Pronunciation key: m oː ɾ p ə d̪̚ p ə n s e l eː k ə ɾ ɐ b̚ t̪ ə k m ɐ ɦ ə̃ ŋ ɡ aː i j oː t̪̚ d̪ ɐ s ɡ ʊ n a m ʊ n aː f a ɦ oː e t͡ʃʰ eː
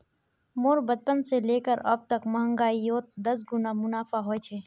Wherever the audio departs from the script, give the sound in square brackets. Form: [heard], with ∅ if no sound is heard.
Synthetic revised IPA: m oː ɾ [b] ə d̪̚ p ə n s e l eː k ə ɾ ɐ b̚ t̪ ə k m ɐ ɦ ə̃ ŋ ɡ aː i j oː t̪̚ d̪ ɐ s ɡ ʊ n a m ʊ n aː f a ɦ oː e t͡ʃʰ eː

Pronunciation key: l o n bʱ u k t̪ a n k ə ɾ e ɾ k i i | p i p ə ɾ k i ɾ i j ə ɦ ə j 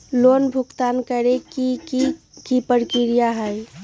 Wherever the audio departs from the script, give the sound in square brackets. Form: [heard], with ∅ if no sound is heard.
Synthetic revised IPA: l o n bʱ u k t̪ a n k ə ɾ e [∅] k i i | [k] i p ə ɾ k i ɾ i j [a] ɦ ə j

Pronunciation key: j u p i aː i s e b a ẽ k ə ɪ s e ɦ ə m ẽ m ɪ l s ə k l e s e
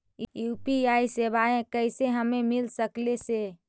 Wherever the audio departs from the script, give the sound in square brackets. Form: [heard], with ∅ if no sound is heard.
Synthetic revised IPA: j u p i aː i s e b a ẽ k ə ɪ s e ɦ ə m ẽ m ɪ l s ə k l e s e

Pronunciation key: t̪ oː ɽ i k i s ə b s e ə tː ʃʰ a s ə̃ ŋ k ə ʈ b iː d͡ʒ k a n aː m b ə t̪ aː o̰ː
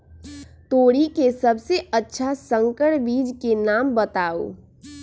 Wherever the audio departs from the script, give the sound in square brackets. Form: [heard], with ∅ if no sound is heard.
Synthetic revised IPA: t̪ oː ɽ i k [e] s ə b s e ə tː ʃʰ a s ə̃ ŋ k ə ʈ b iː d͡ʒ k [e] n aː m b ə t̪ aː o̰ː

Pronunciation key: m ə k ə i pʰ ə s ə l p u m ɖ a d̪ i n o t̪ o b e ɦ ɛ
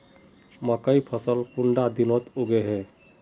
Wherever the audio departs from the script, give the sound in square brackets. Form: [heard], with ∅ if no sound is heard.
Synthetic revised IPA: m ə k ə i pʰ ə s ə l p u [ɳ] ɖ a d̪ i n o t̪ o [ɡ] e ɦ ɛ

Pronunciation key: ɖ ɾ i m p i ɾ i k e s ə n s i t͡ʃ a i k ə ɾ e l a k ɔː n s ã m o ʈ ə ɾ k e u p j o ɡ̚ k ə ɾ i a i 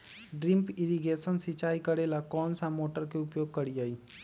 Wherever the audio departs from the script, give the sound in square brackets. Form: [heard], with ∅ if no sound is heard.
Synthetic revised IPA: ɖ ɾ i m p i ɾ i [ɡ] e s ə n s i t͡ʃ a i k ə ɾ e l a k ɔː n s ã m o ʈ ə ɾ k e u p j o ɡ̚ k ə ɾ i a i

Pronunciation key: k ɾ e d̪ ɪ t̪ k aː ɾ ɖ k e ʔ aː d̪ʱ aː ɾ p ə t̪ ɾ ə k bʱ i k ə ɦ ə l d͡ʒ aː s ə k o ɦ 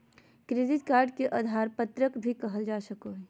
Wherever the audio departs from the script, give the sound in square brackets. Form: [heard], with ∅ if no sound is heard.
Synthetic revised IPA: k ɾ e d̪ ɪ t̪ k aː ɾ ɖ k e ʔ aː d̪ʱ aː ɾ p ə t̪ ɾ ə k bʱ i k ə ɦ ə l d͡ʒ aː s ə k o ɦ

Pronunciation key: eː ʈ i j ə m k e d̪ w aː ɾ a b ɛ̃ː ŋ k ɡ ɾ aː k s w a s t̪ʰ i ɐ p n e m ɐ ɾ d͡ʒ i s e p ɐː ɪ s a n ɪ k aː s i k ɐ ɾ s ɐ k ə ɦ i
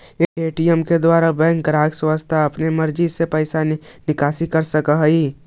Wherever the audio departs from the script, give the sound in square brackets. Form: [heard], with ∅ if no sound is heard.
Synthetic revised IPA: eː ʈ i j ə m k e d̪ w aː ɾ a b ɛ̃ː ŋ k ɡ ɾ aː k s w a s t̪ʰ [a] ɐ p n e m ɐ ɾ d͡ʒ i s e p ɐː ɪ s a n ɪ k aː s i k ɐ ɾ s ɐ k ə ɦ i

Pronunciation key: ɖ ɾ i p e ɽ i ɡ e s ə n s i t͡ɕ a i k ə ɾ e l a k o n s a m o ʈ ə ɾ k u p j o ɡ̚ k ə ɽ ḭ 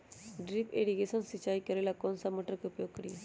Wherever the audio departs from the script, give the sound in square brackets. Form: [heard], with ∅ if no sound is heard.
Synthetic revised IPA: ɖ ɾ i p e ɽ i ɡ e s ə n s i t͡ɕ a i k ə ɾ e l a k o n s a m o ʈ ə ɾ k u p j o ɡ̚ k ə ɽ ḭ

